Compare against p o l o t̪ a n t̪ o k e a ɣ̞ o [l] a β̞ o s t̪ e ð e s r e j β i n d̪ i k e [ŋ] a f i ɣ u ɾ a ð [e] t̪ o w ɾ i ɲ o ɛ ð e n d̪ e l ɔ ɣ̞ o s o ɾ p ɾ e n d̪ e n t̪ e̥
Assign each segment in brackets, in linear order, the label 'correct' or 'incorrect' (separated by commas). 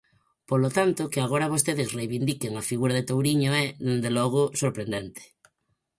incorrect, correct, correct